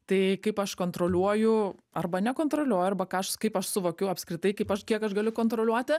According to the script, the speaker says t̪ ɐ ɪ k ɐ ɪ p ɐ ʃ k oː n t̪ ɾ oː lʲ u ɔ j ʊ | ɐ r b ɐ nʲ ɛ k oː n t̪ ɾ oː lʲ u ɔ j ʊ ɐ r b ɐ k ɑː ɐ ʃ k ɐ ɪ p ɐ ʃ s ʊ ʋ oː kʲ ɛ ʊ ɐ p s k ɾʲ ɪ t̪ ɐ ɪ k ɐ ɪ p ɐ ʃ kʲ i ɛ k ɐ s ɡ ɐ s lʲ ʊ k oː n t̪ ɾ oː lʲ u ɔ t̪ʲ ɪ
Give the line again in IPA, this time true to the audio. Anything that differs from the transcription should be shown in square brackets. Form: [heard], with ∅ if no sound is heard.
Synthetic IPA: t̪ ɐ ɪ k ɐ ɪ p ɐ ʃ k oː n t̪ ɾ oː lʲ u ɔ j ʊ | ɐ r b ɐ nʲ ɛ k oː n t̪ ɾ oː lʲ u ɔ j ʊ ɐ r b ɐ k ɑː ɐ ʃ k ɐ ɪ p ɐ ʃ s ʊ ʋ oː kʲ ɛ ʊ ɐ p s k ɾʲ ɪ t̪ ɐ ɪ k ɐ ɪ p ɐ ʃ kʲ i ɛ k ɐ [ʃ] ɡ ɐ [∅] lʲ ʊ k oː n t̪ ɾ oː lʲ u ɔ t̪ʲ ɪ